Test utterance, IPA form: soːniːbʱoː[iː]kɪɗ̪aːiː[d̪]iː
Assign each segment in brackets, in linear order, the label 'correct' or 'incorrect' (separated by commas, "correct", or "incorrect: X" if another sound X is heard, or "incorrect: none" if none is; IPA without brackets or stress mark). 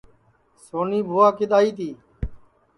incorrect: aː, incorrect: t̪